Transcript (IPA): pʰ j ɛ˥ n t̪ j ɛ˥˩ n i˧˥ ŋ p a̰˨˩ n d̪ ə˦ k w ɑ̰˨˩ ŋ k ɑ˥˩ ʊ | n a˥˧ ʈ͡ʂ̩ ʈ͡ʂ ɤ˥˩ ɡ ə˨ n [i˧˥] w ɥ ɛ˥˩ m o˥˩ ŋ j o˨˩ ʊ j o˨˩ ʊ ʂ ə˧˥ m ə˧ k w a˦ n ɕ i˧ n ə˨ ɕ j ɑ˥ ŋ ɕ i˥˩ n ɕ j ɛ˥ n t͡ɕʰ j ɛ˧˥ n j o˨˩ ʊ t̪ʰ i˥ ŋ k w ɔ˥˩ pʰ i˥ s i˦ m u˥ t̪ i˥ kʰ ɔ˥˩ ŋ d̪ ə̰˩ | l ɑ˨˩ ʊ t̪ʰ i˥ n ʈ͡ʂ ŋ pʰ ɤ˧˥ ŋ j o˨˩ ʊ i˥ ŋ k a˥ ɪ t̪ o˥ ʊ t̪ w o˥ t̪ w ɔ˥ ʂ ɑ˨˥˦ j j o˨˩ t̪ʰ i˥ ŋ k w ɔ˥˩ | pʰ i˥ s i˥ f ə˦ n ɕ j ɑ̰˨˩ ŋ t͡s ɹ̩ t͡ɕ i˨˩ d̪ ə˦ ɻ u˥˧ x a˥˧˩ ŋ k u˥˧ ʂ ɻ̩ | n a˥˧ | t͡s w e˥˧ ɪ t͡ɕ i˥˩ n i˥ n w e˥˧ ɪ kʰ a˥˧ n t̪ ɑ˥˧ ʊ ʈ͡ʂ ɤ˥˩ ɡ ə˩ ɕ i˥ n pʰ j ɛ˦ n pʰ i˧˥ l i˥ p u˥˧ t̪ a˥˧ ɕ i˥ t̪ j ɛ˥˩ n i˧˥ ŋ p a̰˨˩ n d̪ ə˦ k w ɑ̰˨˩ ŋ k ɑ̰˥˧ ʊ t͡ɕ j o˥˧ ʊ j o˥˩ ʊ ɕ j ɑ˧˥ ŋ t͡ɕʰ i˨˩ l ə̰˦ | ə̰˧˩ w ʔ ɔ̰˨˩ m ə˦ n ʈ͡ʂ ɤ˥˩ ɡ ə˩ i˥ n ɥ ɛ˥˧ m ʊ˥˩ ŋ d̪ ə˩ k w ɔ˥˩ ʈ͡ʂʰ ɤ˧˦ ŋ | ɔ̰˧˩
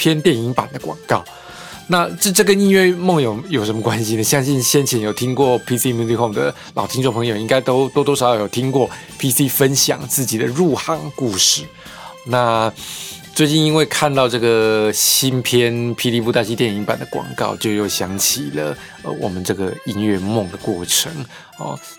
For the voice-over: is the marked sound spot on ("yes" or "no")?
no